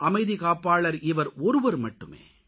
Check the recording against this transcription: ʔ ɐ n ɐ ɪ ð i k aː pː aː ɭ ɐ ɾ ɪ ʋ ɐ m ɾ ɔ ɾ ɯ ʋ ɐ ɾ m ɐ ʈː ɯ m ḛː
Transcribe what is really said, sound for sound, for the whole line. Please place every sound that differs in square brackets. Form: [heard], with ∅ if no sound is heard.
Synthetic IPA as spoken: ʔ ɐ [m] ɐ ɪ ð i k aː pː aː ɭ ɐ ɾ ɪ ʋ ɐ [∅] ɾ ɔ ɾ ɯ ʋ ɐ ɾ m ɐ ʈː ɯ m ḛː